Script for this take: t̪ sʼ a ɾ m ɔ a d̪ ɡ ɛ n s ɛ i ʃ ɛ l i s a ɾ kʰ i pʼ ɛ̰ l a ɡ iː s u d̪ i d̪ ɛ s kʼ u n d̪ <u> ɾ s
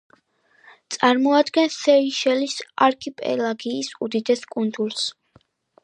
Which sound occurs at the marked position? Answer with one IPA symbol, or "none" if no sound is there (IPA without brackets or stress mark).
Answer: u